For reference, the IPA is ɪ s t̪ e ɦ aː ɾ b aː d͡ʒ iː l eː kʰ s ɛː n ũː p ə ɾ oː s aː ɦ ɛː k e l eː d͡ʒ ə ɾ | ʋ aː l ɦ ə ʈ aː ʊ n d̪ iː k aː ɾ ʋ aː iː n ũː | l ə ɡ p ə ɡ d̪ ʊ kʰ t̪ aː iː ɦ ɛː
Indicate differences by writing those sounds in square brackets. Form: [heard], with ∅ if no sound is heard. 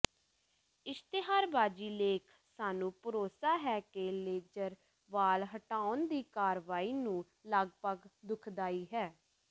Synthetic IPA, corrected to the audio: ɪ s t̪ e ɦ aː ɾ b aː d͡ʒ iː l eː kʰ s [aː] n ũː p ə ɾ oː s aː ɦ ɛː k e l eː d͡ʒ ə ɾ | ʋ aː l ɦ ə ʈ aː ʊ n d̪ iː k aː ɾ ʋ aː iː n ũː | l ə ɡ p ə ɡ d̪ ʊ kʰ [d̪] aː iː ɦ ɛː